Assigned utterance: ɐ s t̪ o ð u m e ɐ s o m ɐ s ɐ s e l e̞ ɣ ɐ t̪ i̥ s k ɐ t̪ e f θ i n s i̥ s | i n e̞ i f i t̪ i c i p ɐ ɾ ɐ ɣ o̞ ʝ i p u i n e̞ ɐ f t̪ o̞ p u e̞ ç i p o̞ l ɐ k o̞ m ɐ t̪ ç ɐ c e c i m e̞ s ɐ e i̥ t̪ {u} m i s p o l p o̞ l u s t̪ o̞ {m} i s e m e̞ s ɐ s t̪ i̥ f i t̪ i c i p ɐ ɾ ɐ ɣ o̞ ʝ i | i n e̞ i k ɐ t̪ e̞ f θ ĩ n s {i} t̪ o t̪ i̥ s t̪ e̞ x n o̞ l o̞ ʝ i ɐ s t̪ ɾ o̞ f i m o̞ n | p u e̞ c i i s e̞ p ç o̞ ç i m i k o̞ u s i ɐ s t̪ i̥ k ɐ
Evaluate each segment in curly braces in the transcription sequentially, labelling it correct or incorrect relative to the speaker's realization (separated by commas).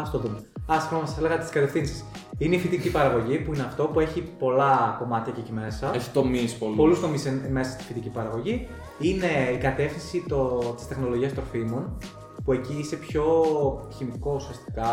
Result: incorrect, correct, correct